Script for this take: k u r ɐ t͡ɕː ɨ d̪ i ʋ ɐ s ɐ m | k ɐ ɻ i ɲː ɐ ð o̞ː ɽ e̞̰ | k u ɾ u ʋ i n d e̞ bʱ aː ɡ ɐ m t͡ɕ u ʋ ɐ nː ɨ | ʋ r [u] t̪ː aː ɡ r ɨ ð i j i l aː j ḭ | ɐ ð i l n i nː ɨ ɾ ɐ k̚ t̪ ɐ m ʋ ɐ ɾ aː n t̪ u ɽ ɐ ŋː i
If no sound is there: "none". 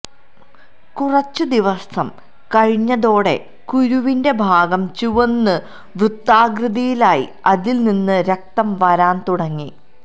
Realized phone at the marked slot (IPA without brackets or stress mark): u